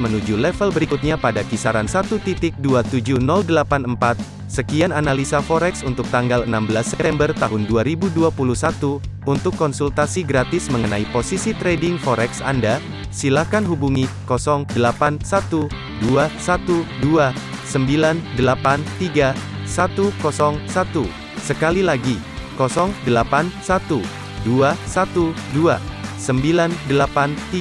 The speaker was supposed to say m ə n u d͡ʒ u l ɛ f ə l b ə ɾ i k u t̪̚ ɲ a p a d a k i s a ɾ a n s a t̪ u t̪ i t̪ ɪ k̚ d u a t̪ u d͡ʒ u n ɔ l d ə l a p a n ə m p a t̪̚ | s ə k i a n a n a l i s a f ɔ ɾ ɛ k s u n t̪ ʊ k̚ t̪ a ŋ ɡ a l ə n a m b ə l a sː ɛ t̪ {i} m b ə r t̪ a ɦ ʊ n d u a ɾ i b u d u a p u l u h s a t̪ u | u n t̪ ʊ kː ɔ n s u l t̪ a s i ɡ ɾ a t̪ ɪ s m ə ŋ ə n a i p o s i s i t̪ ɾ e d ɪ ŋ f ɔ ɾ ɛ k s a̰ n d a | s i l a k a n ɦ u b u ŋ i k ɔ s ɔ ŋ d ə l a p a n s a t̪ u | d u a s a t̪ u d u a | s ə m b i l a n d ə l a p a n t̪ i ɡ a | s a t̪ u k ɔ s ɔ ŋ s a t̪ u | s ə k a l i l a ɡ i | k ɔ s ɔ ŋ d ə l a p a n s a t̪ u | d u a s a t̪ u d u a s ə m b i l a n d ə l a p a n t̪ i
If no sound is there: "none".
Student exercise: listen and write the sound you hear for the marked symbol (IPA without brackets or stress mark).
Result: ɛ